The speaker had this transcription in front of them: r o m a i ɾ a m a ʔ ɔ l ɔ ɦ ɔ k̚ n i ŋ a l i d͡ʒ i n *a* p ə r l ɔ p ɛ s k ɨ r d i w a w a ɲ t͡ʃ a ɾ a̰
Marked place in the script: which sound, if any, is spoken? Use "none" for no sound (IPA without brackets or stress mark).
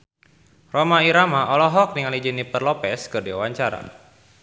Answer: i